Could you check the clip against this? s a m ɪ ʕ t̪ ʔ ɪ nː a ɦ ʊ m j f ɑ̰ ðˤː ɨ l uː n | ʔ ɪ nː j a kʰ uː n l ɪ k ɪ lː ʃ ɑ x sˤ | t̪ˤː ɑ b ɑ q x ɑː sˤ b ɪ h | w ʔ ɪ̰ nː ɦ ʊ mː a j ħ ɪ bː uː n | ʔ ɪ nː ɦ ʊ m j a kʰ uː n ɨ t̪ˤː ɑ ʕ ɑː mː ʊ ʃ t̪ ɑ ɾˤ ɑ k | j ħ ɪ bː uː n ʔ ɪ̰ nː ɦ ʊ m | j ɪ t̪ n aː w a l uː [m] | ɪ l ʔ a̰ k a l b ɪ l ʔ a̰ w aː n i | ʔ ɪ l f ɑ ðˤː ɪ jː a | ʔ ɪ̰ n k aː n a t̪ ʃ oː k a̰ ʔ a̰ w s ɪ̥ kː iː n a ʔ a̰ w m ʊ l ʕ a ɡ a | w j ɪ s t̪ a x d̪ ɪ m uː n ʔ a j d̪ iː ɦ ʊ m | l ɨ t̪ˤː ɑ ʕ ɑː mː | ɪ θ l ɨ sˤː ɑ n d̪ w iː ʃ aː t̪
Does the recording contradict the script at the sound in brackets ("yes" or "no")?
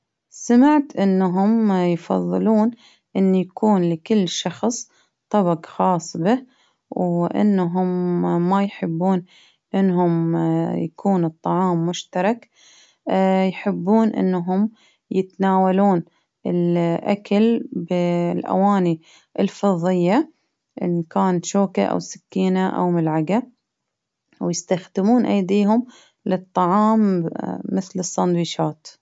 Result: yes